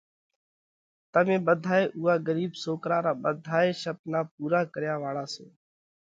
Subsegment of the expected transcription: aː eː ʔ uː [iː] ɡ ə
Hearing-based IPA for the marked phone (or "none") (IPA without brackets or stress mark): aː